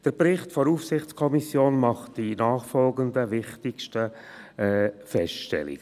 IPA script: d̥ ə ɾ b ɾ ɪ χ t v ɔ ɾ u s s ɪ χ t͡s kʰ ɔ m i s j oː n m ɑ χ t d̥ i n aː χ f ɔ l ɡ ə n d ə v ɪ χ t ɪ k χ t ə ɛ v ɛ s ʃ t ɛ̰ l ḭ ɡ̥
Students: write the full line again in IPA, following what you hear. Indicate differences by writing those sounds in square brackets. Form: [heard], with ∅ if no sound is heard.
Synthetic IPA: d̥ ə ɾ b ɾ ɪ χ t [f] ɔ ɾ u [f] s ɪ χ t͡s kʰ ɔ m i s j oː n m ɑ χ t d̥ i n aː χ f ɔ l ɡ ə n d ə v ɪ χ t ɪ k [ʃ] t ə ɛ [f] ɛ s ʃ t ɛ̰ l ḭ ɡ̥